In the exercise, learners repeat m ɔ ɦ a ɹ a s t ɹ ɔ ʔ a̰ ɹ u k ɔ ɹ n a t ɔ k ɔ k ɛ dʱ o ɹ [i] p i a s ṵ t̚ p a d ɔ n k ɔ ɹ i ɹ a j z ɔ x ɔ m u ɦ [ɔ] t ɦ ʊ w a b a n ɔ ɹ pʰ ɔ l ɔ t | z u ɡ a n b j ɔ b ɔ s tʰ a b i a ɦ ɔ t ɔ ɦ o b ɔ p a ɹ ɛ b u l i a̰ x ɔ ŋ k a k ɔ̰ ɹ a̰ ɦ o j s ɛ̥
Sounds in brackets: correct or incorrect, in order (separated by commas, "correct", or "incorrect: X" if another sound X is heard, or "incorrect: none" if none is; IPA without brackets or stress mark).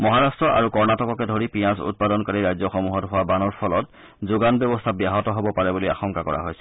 correct, correct